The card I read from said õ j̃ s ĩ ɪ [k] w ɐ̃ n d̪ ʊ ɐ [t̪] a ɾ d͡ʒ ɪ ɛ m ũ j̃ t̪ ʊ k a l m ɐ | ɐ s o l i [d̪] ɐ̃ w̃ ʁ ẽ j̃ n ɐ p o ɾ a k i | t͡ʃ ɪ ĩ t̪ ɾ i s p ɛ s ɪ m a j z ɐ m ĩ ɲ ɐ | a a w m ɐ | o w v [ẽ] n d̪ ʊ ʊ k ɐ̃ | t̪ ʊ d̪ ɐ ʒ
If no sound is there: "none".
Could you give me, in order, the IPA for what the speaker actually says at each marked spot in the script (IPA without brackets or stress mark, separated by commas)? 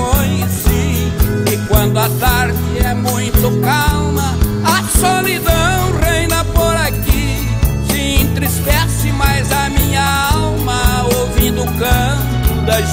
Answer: k, t̪, d̪, ĩ